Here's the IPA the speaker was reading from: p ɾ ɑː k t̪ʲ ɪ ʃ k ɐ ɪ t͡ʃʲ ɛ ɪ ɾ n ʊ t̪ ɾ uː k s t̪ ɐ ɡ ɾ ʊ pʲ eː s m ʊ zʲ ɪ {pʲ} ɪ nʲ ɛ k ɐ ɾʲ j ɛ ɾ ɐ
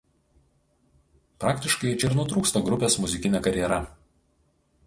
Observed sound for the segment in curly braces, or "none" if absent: kʲ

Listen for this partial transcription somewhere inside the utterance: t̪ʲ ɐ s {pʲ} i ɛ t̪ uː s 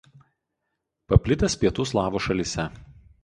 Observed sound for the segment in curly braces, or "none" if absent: pʲ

